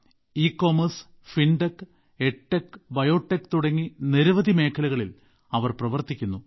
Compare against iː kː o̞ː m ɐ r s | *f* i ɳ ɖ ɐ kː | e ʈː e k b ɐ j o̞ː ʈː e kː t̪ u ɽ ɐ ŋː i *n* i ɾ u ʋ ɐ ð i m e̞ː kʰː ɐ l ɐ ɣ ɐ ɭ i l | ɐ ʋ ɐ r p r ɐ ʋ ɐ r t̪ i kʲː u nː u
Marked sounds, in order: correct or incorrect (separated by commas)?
correct, correct